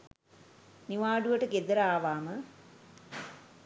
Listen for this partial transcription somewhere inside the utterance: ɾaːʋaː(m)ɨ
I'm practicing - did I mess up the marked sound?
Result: no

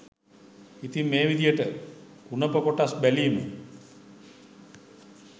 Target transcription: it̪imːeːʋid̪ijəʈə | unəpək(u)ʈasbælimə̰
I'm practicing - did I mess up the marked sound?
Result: yes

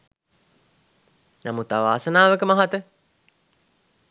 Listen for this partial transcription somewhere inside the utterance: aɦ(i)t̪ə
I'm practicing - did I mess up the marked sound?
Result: yes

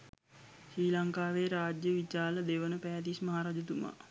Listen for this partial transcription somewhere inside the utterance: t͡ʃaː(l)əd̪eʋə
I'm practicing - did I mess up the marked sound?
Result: no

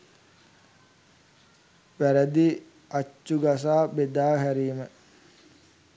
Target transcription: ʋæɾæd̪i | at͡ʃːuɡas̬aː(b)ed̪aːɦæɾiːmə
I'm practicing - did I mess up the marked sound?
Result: no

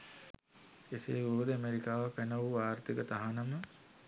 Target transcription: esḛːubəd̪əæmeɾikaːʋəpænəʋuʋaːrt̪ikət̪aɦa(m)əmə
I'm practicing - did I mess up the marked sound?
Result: yes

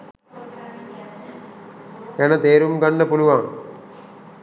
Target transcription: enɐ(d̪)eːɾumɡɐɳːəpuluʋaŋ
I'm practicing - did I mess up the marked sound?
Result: yes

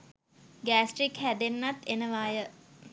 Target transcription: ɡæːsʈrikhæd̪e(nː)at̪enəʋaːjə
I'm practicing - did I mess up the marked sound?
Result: no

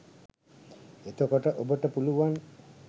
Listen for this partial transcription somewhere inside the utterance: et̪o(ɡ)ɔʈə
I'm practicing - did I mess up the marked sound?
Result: yes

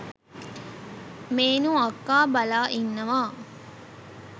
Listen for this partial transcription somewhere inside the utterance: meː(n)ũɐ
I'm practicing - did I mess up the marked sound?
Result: no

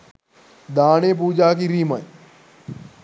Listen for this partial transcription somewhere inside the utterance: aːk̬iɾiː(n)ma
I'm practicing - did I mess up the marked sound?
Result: yes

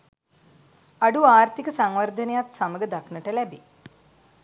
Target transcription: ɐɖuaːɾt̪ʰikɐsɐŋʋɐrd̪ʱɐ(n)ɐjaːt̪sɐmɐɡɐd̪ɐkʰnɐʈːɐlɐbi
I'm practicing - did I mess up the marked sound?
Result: no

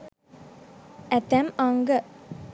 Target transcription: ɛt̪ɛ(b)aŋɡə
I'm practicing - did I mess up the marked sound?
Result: yes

